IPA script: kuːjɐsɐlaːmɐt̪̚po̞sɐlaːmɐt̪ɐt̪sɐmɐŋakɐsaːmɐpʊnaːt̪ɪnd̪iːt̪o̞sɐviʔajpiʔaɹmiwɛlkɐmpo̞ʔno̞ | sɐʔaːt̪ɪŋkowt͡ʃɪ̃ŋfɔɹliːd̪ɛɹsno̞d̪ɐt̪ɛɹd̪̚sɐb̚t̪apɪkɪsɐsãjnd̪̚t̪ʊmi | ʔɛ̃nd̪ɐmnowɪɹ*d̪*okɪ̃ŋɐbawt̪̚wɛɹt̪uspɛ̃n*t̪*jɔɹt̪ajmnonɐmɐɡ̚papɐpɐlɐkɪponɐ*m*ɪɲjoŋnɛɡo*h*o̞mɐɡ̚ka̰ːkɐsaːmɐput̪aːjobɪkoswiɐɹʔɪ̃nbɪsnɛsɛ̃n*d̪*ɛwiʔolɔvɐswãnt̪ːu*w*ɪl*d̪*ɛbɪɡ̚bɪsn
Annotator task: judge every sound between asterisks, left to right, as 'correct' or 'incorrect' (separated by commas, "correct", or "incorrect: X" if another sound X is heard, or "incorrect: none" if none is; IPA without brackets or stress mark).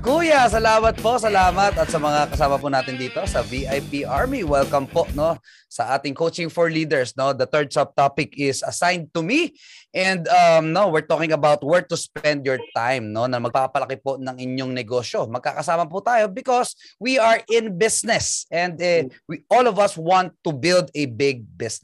incorrect: t̪, incorrect: d̪, incorrect: ŋ, incorrect: ʃ, correct, incorrect: b, correct